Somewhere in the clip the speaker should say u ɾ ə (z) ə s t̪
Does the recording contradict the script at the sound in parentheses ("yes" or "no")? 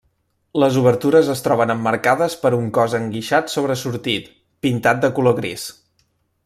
no